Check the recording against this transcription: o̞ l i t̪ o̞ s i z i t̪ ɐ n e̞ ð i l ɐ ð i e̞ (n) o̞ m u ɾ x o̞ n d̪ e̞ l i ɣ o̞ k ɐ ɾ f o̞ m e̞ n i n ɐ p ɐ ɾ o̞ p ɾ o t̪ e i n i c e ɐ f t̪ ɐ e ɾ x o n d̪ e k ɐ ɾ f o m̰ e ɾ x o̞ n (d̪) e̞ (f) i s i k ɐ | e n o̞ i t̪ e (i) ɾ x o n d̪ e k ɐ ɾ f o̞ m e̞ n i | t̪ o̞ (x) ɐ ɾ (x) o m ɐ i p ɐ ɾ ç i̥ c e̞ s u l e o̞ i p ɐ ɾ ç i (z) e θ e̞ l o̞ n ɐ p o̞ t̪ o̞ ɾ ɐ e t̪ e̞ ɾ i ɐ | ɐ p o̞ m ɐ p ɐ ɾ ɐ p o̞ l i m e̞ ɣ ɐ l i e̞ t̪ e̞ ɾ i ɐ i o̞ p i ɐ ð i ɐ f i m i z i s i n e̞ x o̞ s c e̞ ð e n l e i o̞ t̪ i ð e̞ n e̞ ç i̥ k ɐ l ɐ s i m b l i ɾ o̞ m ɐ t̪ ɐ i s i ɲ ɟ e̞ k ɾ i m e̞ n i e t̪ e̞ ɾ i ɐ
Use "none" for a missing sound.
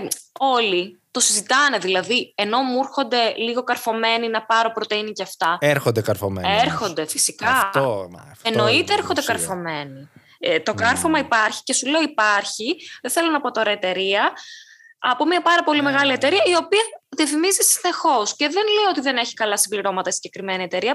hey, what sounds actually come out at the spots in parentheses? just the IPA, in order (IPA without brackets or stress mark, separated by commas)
n, d̪, f, e, k, f, ð